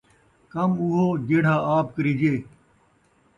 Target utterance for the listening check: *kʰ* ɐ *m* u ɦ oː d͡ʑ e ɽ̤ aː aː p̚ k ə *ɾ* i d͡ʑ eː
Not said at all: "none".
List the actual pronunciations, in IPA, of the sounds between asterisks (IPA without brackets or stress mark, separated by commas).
k, m, ɾ